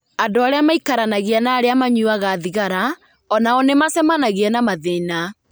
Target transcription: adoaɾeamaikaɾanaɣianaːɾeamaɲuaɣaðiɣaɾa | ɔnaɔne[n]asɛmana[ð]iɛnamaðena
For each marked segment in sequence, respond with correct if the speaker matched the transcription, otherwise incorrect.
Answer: incorrect: m, incorrect: ɣ

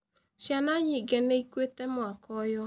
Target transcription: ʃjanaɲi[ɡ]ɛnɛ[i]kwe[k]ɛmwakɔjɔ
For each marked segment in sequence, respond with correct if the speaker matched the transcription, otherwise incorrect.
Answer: correct, correct, incorrect: t

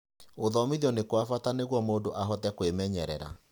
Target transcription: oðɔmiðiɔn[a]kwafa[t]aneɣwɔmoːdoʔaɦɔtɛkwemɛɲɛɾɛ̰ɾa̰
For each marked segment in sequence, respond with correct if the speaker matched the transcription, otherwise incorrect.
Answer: incorrect: e, correct

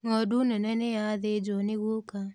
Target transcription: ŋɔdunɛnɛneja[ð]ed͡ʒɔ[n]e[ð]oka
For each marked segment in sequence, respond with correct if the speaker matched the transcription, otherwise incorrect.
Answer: correct, correct, incorrect: ɣ

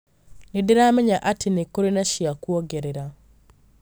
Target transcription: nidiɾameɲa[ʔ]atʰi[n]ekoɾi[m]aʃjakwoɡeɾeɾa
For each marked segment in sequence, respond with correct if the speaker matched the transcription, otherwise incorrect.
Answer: correct, correct, incorrect: n

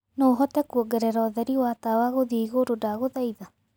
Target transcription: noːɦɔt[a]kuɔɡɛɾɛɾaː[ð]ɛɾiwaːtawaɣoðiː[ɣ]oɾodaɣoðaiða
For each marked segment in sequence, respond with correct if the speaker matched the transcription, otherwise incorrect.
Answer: incorrect: ɛ, correct, correct

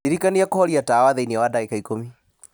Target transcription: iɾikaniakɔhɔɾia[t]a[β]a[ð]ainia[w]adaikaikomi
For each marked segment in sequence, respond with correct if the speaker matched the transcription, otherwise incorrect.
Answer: correct, incorrect: w, correct, correct

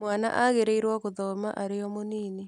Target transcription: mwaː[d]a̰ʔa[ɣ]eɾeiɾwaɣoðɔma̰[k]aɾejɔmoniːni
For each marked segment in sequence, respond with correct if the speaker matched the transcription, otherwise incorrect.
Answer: incorrect: n, correct, incorrect: ʔ

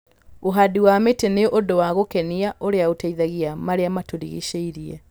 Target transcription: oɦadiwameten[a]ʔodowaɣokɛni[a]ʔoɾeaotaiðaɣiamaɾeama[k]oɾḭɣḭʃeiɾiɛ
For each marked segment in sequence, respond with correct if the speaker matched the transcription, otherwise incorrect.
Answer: incorrect: e, correct, incorrect: t

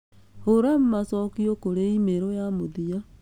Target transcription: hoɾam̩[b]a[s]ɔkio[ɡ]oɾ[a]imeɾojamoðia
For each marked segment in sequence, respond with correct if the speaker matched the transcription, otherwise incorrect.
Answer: incorrect: m, correct, incorrect: k, incorrect: e

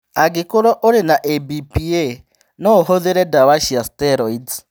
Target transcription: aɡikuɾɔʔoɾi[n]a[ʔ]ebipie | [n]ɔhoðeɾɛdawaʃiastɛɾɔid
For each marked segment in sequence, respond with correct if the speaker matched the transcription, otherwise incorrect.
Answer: correct, correct, correct

